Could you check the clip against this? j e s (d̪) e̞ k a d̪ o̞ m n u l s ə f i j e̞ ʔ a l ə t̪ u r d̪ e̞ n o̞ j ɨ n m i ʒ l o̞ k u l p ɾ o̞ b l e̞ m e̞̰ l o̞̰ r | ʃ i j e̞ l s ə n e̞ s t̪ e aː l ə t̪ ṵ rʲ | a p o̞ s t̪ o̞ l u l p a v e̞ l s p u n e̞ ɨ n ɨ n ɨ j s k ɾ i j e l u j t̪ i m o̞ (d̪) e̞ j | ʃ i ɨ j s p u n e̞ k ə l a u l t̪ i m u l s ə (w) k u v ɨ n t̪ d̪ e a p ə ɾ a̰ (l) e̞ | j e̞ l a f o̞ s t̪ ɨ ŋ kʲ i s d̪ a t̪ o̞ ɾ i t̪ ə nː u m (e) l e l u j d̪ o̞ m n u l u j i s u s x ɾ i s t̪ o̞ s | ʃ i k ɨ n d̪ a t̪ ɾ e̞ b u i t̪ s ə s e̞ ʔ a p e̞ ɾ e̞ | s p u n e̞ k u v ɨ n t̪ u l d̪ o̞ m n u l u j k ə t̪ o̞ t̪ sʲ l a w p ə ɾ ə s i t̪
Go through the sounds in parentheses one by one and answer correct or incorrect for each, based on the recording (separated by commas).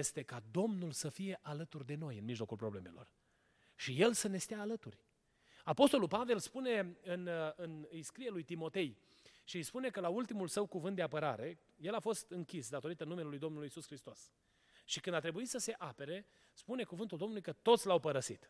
incorrect, incorrect, correct, incorrect, correct